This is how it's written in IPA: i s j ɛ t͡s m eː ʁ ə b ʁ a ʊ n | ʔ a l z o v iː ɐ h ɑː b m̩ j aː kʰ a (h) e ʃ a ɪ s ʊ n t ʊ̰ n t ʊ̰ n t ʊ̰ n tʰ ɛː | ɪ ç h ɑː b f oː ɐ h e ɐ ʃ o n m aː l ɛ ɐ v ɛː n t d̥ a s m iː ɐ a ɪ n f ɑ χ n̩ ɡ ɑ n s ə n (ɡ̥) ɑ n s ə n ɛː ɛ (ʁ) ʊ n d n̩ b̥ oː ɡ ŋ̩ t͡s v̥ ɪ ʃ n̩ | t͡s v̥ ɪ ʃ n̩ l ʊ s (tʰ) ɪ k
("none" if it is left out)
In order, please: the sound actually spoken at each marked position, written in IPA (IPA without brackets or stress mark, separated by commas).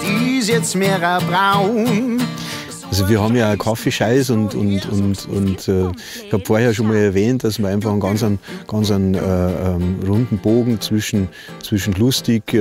f, ɡ̥, ʁ, t